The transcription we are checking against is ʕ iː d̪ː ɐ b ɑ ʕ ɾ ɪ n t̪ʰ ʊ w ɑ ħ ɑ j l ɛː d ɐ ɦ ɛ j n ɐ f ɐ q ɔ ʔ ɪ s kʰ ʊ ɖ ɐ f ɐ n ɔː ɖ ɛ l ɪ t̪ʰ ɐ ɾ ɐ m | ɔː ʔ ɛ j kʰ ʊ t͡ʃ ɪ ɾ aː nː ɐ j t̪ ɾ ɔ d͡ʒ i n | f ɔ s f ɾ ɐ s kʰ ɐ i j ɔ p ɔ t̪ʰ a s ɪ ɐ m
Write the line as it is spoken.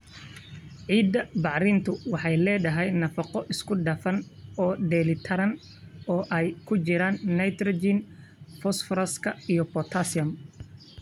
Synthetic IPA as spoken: ʕ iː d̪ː ɐ b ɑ ʕ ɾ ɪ n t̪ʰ ʊ w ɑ ħ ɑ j l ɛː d ɐ ɦ ɛ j n ɐ f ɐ q ɔ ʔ ɪ s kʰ ʊ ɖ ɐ f ɐ n ɔː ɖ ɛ l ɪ t̪ʰ ɐ ɾ ɐ n | ɔː ʔ ɛ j kʰ ʊ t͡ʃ ɪ ɾ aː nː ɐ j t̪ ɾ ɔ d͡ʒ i n | f ɔ s f ɾ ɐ s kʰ ɐ i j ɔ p ɔ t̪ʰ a s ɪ ɐ m